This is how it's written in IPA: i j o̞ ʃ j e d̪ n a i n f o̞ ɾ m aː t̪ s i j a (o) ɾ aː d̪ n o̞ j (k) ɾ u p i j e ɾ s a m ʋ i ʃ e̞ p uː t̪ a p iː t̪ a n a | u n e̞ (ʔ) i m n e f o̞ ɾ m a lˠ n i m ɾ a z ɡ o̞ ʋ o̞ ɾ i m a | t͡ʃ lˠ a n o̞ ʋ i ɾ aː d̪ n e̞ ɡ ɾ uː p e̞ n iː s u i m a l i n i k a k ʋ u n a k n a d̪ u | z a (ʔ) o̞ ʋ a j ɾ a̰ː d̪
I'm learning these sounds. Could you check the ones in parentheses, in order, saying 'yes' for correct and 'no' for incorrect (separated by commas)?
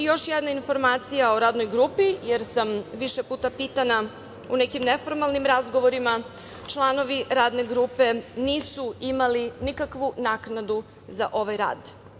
yes, no, no, yes